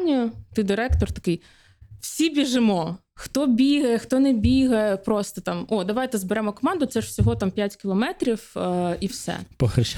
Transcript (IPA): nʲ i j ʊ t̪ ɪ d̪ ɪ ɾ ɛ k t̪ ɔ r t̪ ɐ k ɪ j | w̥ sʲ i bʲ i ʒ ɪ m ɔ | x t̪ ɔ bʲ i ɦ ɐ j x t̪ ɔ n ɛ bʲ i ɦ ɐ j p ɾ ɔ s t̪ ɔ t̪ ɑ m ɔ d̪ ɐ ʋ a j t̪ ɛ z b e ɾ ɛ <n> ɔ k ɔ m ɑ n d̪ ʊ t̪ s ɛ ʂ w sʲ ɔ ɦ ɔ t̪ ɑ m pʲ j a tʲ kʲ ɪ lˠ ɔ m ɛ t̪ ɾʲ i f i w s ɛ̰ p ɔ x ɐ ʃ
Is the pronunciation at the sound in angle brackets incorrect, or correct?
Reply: incorrect